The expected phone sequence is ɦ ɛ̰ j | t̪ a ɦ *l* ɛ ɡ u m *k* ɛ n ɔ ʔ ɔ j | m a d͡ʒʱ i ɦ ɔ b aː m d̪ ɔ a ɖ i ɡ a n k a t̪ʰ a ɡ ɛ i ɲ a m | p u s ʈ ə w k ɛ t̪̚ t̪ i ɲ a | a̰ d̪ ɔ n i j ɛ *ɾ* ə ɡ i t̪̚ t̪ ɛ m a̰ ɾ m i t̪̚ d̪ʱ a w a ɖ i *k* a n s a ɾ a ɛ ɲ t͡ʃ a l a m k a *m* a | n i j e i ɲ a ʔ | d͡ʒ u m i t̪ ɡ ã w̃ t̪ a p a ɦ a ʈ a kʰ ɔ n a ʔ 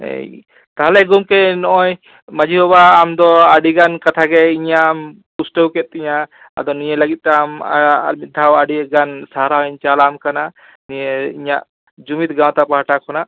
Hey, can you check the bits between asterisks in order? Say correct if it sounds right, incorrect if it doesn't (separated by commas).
correct, correct, incorrect, incorrect, incorrect